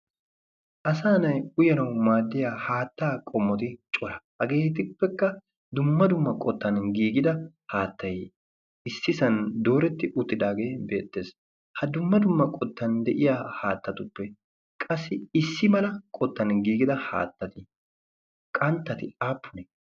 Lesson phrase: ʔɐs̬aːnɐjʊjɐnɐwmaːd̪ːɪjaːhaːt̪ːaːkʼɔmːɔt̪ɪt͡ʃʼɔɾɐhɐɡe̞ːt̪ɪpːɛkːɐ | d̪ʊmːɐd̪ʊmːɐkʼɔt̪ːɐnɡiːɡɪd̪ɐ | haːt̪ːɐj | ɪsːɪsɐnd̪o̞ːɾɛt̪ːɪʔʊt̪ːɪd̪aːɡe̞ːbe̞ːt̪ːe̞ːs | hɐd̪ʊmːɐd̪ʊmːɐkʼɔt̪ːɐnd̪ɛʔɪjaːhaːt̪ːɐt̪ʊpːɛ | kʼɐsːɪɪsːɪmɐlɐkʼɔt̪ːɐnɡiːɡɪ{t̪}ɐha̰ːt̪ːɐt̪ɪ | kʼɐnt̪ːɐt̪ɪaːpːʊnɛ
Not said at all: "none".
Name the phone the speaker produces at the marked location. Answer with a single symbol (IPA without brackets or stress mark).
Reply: d̪